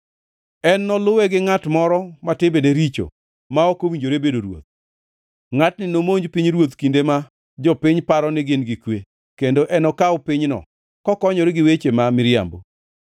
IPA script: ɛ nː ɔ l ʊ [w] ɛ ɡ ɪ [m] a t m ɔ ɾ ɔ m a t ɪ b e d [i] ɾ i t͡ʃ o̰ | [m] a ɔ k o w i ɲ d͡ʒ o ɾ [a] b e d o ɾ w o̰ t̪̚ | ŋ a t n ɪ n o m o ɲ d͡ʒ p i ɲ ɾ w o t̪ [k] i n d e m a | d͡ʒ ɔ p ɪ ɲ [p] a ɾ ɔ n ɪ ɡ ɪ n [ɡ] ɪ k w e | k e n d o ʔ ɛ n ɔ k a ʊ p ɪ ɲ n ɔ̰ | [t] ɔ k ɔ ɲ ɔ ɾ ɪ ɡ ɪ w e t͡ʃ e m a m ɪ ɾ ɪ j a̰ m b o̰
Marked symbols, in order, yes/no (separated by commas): yes, no, no, yes, no, yes, yes, yes, no